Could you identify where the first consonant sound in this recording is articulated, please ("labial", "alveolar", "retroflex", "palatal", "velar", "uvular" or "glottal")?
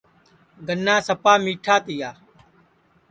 velar